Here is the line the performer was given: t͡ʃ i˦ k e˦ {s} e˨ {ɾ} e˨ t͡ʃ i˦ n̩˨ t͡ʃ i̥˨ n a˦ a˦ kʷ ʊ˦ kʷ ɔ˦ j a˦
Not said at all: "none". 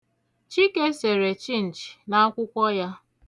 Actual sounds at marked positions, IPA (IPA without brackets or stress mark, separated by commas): s, ɾ